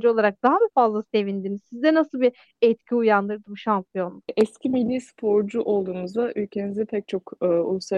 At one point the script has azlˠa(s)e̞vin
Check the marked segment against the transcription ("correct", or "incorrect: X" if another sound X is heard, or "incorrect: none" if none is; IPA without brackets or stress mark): correct